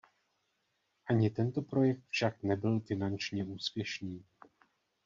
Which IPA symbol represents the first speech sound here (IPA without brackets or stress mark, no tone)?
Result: ʔ